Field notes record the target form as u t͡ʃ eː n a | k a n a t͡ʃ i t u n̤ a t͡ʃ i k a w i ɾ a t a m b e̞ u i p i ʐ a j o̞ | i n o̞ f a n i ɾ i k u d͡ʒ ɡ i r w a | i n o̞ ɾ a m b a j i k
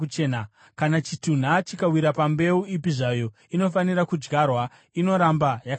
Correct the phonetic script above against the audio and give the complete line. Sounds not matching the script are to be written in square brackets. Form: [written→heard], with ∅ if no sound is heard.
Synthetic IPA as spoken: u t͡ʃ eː n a | k a n a t͡ʃ i t u n̤ a t͡ʃ i k a w i ɾ a [t→p] a m b e̞ u i p i ʐ a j o̞ | i n o̞ f a n i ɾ [i→a] k u d͡ʒ ɡ [i→a] r w a | i n o̞ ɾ a m b a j [i→a] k